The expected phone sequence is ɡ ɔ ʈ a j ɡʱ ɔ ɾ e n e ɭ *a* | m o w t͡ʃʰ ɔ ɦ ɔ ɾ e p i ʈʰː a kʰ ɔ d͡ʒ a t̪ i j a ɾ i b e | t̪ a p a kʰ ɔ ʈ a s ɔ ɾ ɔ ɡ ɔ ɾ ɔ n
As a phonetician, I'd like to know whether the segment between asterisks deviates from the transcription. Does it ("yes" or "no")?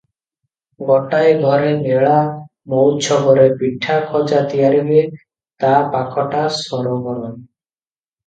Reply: no